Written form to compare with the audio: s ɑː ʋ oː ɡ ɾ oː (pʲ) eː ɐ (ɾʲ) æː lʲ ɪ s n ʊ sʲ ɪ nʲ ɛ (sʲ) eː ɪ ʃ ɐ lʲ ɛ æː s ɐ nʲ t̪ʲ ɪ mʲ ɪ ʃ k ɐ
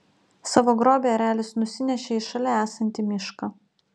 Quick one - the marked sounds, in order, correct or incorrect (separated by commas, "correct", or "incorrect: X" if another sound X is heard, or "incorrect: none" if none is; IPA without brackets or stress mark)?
incorrect: bʲ, correct, incorrect: ʃʲ